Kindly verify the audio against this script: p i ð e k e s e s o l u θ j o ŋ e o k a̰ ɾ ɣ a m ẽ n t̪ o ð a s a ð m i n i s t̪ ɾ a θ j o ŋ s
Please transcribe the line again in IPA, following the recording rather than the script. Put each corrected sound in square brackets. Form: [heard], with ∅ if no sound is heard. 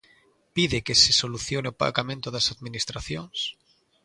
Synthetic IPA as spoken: p i ð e k e s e s o l u θ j o [n] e o [p] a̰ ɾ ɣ a m ẽ n t̪ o ð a s a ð m i n i s t̪ ɾ a θ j o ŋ s